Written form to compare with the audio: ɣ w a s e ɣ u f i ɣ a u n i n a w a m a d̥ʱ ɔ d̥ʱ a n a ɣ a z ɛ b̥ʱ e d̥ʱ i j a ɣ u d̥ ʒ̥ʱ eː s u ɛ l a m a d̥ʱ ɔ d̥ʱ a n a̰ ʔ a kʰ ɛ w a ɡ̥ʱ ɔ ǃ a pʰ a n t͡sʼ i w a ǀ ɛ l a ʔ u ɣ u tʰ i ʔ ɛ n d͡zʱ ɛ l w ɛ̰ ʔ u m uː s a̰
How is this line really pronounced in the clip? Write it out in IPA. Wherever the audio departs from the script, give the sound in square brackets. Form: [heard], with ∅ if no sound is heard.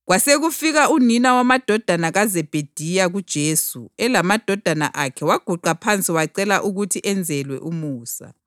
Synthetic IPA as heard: ɣ w a s e ɣ u f i ɣ a u n i n a w a m a d̥ʱ ɔ d̥ʱ a n a ɣ a z ɛ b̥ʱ e d̥ʱ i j a ɣ u d̥ ʒ̥ʱ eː s u ɛ l a m a d̥ʱ ɔ d̥ʱ a n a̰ ʔ a kʰ ɛ w a ɡ̥ʱ [u] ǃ a pʰ a n t͡sʼ i w a ǀ ɛ l a ʔ u ɣ u tʰ i ʔ ɛ n d͡zʱ ɛ l w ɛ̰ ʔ u m uː s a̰